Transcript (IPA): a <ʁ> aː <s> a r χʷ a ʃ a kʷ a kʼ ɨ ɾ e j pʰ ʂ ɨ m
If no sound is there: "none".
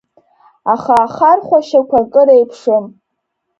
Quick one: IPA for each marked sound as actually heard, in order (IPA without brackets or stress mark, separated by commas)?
χ, χ